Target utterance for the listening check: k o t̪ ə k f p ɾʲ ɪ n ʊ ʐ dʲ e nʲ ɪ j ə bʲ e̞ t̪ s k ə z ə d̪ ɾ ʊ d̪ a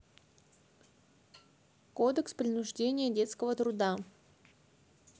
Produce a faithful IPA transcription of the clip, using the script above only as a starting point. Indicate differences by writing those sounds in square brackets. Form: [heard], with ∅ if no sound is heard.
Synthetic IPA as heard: k o [d̪] ə k [s] p ɾʲ ɪ n ʊ ʐ dʲ e nʲ ɪ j ə [dʲ] e̞ t̪ s k ə [v] ə [t̪] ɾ ʊ d̪ a